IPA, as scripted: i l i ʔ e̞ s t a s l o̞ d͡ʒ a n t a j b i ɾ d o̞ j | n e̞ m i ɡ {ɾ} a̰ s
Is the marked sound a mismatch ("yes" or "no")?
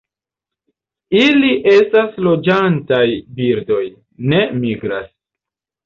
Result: no